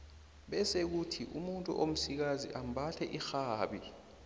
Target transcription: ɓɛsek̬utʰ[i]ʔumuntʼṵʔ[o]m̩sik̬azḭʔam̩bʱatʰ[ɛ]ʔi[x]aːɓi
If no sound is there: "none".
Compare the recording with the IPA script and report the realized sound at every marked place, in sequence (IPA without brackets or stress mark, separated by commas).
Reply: i, o, ɛ, x